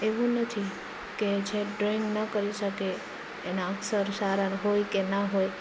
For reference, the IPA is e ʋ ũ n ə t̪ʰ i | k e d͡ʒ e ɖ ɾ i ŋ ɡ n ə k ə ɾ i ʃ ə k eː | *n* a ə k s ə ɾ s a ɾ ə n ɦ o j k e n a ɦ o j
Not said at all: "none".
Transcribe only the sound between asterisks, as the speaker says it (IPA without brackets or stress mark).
n